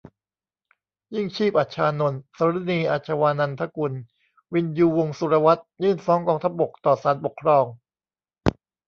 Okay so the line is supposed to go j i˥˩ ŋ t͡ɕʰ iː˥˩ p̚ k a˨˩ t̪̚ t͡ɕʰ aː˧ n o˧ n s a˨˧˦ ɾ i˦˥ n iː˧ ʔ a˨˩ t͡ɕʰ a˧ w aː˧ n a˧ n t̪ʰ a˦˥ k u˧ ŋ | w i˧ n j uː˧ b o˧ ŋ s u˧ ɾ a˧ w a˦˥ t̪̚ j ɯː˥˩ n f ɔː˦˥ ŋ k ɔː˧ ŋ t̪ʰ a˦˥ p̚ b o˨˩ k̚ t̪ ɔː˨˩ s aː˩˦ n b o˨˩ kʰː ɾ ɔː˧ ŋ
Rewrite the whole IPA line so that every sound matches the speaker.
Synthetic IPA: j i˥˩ ŋ t͡ɕʰ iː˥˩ p̚ ʔ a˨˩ t̪̚ t͡ɕʰ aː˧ n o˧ n s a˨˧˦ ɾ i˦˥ n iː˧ ʔ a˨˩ t͡ɕʰ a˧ w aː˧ n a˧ n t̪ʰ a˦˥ k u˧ n | w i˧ n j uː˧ w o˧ ŋ s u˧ ɾ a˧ w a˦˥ t̪̚ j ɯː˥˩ n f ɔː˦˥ ŋ k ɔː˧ ŋ t̪ʰ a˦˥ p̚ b o˨˩ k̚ t̪ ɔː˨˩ s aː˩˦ n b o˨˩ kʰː ɾ ɔː˧ ŋ